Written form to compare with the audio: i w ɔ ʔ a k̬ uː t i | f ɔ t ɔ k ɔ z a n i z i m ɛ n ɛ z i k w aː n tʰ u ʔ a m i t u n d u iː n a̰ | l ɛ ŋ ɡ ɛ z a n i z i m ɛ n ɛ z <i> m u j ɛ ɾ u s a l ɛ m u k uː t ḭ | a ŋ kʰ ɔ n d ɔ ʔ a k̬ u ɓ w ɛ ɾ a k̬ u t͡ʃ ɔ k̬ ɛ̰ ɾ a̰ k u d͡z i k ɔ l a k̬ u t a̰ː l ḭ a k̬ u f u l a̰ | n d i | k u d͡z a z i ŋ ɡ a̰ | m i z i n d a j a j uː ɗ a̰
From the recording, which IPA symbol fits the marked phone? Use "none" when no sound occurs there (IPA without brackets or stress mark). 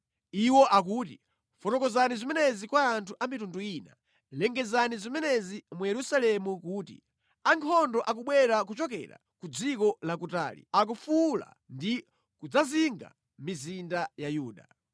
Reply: i